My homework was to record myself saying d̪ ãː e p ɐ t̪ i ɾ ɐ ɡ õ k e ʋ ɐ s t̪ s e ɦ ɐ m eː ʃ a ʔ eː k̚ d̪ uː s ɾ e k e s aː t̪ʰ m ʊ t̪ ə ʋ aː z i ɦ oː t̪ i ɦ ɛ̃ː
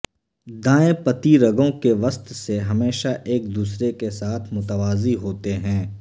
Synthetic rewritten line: d̪ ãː e p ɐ t̪ i ɾ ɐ ɡ õ k e ʋ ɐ s t̪ s e ɦ ɐ m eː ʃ a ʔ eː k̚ d̪ uː s ɾ e k e s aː t̪ʰ m ʊ t̪ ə ʋ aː z i ɦ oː t̪ e ɦ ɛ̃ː